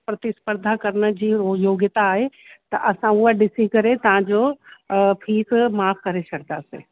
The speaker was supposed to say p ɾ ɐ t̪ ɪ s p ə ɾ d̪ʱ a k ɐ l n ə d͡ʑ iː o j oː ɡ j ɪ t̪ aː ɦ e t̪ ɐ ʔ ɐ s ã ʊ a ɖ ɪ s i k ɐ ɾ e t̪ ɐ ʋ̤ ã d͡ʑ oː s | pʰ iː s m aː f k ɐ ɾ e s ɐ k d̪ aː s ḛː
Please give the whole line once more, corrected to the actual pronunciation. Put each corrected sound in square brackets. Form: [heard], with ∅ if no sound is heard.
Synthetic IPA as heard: p ɾ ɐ t̪ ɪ s p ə ɾ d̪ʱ a k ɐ [ɾ] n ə d͡ʑ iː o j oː ɡ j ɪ t̪ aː ɦ e t̪ ɐ ʔ ɐ s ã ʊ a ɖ ɪ s i k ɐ ɾ e t̪ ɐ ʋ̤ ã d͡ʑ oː [∅] | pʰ iː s m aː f k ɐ ɾ e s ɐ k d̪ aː s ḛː